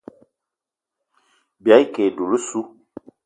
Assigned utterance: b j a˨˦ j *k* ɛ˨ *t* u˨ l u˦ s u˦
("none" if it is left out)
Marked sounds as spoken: k, d

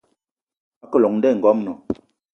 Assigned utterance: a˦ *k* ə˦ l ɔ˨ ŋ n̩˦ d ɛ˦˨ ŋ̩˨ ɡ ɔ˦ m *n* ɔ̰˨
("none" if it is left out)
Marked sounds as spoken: k, n

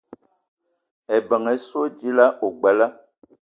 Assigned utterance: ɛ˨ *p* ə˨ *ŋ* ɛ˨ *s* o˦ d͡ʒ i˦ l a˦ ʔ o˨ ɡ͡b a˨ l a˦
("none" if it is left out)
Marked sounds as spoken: b, ŋ, s

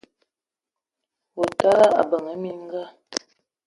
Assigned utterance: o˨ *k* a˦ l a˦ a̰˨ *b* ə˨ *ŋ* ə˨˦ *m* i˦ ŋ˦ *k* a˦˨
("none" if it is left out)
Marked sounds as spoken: t, b, ŋ, m, ɡ

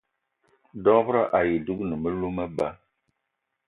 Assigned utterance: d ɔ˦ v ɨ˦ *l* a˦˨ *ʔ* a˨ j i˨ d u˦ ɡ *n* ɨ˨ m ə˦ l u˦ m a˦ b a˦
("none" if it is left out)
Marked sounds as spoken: ɾ, ʔ, n

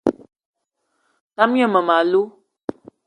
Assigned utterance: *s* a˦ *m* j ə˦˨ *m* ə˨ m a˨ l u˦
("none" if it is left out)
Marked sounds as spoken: t, m, m

